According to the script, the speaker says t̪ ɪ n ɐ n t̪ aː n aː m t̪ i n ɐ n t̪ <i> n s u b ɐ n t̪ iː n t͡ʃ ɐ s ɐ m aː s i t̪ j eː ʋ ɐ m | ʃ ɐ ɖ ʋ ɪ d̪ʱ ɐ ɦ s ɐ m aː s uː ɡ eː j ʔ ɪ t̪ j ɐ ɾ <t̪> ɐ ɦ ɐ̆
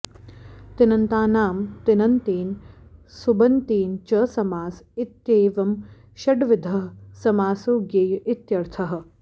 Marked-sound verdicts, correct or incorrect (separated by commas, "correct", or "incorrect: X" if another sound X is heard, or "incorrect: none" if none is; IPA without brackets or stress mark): incorrect: iː, incorrect: t̪ʰ